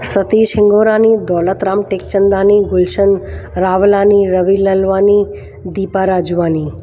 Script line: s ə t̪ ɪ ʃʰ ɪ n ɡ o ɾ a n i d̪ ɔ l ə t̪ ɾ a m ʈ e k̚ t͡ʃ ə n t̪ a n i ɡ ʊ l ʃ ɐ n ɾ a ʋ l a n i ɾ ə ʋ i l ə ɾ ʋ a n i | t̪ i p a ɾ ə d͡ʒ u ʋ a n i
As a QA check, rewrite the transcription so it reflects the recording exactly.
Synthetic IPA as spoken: s ə t̪ i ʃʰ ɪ ŋ ɡ o ɾ a n i d̪ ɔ l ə t̪ ɾ a m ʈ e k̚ t͡ʃ ə n d̪ a n i ɡ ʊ l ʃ ə n ɾ a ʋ l a n i ɾ ə ʋ i l ə l ʋ a n i | d̪ i p a ɾ a d͡ʒ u ʋ a n i